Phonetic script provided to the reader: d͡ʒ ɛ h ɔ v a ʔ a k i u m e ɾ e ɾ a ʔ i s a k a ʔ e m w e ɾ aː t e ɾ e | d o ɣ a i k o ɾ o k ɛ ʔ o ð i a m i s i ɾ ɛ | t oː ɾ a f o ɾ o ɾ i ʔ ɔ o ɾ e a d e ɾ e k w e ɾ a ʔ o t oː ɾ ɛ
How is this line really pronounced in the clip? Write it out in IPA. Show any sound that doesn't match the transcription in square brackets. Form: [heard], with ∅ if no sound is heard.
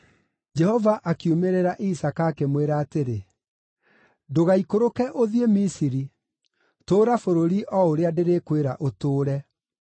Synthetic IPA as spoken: d͡ʒ ɛ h ɔ v a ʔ a k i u m e ɾ e ɾ a ʔ i s a k a [k] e m w e ɾ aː t e ɾ e | d o ɣ a i k o ɾ o k ɛ ʔ o ð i [e] m i s i ɾ [i] | t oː ɾ a f o ɾ o ɾ i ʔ ɔ o ɾ e a d e ɾ e k w e ɾ a ʔ o t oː ɾ ɛ